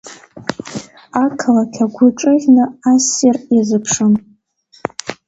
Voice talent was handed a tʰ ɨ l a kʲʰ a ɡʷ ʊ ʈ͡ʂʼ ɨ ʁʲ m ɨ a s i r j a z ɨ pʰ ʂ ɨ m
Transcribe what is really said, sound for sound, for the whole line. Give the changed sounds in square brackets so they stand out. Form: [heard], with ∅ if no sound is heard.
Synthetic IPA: a [kʰ] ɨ l a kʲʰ a ɡʷ ʊ ʈ͡ʂʼ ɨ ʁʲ [n] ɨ a s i r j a z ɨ pʰ ʂ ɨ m